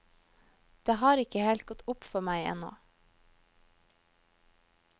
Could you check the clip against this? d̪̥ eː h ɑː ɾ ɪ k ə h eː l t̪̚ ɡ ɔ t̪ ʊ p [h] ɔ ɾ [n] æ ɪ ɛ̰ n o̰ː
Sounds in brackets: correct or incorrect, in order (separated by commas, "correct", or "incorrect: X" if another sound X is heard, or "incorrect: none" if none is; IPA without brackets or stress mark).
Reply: incorrect: f, incorrect: m